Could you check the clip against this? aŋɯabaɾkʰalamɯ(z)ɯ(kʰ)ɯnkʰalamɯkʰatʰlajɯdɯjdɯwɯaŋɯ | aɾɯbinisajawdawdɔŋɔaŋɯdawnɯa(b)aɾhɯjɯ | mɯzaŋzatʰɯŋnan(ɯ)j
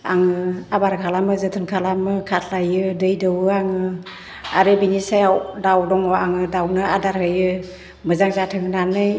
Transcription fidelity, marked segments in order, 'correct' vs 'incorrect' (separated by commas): correct, incorrect, incorrect, correct